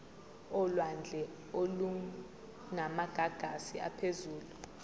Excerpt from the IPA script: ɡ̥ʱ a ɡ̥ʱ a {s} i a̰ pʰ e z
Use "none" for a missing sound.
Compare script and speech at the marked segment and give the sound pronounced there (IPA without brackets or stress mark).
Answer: s